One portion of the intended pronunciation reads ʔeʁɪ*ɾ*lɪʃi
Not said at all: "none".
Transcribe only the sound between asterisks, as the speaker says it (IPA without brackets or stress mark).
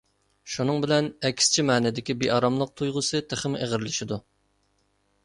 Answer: ɾ